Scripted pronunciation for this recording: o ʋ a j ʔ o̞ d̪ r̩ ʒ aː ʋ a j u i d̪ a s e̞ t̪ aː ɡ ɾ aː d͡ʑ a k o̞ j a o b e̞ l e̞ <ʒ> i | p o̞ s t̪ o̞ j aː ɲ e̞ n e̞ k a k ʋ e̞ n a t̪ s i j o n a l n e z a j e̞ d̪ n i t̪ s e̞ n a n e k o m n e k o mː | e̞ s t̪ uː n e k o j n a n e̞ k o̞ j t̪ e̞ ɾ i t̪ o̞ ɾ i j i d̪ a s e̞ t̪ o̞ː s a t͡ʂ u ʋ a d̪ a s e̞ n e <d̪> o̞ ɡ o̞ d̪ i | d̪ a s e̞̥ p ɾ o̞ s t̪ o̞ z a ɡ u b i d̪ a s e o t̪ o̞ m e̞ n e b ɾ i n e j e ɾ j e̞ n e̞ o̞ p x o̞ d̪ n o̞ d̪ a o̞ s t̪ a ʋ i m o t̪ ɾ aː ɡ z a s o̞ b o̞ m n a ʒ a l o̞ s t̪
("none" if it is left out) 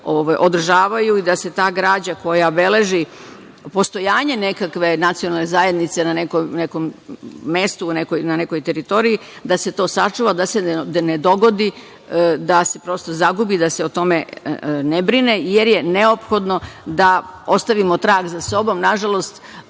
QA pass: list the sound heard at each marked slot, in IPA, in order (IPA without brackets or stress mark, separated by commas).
ʒ, d̪